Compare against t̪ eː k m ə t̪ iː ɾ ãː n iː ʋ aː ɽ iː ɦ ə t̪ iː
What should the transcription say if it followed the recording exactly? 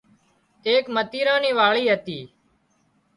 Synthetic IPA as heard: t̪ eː k m ə t̪ iː ɾ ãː n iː ʋ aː ɭ iː ɦ ə t̪ iː